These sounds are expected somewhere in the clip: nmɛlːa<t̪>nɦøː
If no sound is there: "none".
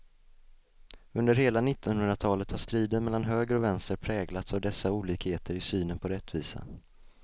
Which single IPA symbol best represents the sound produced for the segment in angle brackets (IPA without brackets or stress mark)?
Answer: none